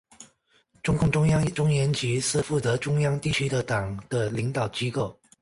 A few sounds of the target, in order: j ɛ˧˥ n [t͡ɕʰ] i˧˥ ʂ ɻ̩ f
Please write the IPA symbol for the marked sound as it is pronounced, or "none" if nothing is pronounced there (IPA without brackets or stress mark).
t͡ɕ